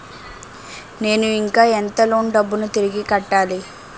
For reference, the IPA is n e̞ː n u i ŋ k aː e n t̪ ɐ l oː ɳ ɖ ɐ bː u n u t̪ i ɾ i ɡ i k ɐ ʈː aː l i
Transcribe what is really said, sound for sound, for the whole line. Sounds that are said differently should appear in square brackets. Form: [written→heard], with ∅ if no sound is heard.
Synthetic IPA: n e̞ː n u i ŋ k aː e n t̪ ɐ l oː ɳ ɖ ɐ bː u n u t̪ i ɾ i ɡ i k ɐ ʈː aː l i